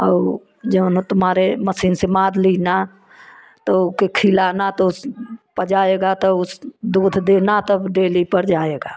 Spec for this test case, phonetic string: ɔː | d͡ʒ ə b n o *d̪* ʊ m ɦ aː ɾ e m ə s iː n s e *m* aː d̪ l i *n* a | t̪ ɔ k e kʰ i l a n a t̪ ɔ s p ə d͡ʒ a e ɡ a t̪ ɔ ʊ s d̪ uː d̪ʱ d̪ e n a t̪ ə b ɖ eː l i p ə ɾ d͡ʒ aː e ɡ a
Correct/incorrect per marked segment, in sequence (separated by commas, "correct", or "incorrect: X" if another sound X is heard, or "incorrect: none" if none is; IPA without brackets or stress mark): incorrect: t̪, correct, correct